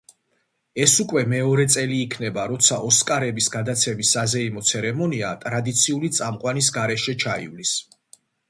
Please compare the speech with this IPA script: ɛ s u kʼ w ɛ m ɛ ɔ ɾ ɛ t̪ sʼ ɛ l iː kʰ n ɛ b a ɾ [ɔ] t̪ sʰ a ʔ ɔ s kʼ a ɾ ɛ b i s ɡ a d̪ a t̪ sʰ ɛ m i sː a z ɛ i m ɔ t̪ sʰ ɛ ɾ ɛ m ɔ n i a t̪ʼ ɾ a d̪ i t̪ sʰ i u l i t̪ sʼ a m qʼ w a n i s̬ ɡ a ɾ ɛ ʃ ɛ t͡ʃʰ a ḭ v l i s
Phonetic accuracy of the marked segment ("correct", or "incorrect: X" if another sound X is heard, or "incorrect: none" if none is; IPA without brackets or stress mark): correct